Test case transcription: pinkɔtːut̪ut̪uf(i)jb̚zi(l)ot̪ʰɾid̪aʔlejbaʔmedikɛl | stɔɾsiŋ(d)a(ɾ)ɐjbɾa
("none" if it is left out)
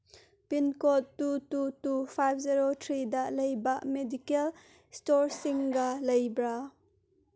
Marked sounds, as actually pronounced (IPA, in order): a, ɾ, ɡ, l

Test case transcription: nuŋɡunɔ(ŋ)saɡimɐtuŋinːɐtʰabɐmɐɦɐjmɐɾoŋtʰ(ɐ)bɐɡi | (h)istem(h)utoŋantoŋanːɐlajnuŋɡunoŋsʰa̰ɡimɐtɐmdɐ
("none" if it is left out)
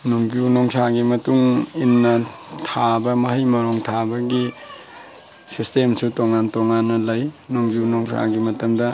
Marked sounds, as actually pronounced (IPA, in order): ŋ, a, s, s

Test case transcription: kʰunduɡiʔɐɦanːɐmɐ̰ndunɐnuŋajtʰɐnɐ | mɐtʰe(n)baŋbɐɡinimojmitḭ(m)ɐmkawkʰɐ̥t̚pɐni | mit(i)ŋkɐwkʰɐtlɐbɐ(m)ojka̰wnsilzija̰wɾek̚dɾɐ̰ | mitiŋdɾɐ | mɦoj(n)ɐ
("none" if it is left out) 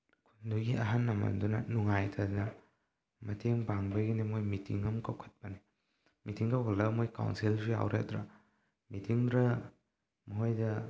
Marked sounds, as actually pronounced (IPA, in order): ŋ, ŋ, i, m, d

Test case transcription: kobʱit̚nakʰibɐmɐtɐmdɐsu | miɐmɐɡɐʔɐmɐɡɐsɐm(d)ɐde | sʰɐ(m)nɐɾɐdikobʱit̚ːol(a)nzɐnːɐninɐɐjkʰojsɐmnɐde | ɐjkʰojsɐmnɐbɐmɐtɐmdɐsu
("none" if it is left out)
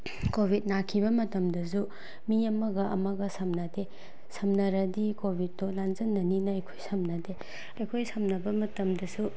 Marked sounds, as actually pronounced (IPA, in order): n, m, a

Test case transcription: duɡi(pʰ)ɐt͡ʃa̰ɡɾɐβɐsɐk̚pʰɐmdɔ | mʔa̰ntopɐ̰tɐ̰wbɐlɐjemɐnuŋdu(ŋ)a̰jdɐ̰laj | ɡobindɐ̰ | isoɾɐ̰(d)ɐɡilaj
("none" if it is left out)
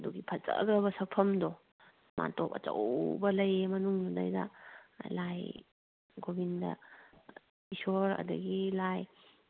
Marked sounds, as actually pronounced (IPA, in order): pʰ, n, d

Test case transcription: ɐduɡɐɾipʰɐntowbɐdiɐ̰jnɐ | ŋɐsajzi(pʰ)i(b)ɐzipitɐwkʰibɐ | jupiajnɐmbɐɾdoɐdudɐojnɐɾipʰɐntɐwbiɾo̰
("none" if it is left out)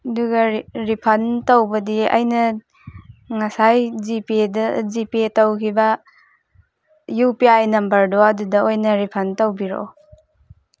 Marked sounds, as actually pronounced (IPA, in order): p, d

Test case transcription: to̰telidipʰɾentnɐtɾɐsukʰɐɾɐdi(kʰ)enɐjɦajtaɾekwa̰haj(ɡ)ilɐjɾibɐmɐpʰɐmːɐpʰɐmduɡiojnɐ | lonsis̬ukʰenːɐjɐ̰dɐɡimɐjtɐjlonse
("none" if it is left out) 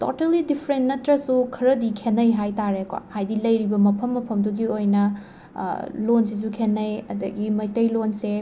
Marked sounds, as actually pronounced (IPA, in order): kʰ, d

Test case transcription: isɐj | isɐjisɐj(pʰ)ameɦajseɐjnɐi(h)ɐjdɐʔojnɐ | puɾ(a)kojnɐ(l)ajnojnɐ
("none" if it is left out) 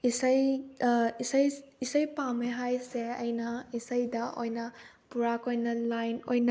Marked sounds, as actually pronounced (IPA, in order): p, s, a, l

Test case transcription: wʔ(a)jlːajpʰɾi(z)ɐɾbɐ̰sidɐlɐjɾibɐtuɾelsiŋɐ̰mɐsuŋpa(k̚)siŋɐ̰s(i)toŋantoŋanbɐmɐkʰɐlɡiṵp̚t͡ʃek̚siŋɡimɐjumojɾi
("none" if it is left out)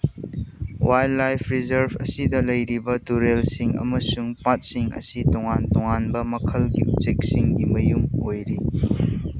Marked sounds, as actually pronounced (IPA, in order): a, z, t̚, i

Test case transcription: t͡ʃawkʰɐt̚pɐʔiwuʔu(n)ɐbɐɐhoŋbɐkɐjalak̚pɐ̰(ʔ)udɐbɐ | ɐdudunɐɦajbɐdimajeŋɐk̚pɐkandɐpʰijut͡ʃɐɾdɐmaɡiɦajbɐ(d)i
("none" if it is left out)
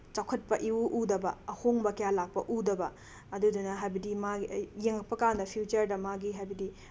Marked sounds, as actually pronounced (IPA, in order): d, ʔ, d

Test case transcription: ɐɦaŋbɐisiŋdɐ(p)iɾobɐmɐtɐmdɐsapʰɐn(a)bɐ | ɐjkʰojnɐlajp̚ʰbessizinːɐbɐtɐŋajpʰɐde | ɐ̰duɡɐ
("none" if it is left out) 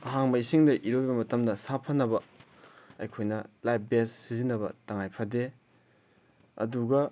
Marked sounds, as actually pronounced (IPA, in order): ʔ, ɐ

